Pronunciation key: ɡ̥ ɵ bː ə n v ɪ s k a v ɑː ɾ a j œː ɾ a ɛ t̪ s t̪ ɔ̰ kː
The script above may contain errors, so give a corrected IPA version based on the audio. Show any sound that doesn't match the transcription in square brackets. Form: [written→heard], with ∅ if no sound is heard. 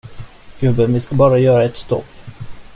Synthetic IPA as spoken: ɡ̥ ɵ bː ə n v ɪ s k a [v→b] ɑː ɾ a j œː ɾ a ɛ t̪ s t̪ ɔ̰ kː